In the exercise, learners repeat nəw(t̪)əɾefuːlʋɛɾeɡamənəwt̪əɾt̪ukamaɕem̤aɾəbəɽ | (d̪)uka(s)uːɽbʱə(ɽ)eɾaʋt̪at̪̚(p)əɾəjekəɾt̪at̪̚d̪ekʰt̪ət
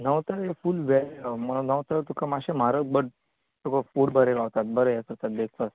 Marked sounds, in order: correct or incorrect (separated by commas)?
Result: correct, incorrect, incorrect, incorrect, incorrect